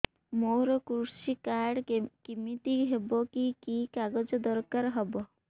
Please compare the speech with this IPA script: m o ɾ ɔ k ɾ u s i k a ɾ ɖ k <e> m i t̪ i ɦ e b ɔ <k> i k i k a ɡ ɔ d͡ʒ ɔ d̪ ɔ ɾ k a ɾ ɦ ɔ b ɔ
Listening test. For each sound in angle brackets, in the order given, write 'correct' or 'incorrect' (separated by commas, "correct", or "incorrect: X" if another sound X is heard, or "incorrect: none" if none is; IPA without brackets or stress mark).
incorrect: i, correct